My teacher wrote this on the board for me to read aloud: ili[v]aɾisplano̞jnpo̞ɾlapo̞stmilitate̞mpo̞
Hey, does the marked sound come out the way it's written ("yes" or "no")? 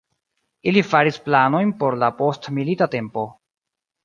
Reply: no